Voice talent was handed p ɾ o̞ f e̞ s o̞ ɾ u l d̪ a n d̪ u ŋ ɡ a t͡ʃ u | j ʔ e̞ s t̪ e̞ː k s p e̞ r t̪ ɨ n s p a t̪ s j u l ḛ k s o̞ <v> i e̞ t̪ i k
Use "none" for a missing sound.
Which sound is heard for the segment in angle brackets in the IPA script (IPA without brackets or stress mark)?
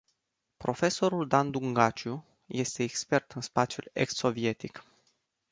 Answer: v